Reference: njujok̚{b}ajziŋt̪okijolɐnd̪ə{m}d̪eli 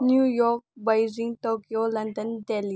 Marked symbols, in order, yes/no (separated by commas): yes, no